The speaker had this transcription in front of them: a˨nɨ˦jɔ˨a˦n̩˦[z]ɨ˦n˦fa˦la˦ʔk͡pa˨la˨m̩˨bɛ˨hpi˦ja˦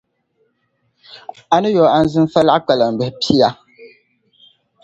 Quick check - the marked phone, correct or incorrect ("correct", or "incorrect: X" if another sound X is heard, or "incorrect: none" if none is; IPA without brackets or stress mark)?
correct